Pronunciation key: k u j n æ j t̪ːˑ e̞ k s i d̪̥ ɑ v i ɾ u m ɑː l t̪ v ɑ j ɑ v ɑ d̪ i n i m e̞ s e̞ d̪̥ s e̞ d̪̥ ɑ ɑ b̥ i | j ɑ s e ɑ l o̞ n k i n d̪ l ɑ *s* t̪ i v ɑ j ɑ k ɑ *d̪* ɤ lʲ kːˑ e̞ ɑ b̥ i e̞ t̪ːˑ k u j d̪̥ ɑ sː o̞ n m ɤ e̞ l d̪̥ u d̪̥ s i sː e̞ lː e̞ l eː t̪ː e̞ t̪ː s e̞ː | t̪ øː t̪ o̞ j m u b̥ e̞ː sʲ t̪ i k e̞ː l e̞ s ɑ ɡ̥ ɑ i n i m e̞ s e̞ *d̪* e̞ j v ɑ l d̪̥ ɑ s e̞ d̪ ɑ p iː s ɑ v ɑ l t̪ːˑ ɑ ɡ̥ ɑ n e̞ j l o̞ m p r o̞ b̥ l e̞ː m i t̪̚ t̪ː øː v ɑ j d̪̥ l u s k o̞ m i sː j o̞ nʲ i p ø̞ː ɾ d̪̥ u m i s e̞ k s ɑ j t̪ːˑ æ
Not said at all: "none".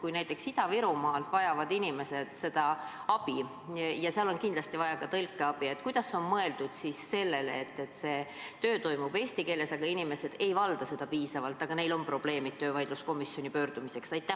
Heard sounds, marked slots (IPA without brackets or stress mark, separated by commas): s, t̪, d̪